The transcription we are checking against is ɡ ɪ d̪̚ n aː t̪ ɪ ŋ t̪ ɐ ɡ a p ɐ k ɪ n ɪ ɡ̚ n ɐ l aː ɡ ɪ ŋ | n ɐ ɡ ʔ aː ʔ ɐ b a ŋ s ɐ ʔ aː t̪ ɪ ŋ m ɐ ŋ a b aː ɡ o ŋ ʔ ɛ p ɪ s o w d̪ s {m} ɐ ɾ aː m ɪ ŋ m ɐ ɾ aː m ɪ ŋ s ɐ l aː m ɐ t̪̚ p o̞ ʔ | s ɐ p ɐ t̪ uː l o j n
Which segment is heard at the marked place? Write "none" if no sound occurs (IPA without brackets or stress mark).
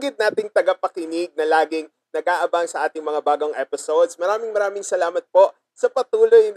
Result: m